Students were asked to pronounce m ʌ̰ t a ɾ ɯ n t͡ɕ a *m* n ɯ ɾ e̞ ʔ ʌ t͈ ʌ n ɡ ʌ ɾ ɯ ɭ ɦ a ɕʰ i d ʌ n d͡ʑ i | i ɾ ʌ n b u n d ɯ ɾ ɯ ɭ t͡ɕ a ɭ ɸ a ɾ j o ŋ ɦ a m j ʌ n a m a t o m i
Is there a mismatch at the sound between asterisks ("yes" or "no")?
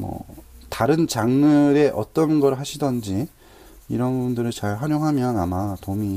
yes